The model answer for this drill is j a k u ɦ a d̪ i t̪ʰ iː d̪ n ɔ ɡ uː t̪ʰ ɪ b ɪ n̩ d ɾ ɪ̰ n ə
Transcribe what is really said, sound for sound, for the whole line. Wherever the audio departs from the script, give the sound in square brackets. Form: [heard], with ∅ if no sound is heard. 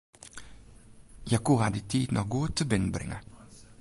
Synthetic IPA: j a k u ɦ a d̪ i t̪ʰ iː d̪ n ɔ ɡ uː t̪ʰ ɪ b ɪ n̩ [b] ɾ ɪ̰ [ŋ] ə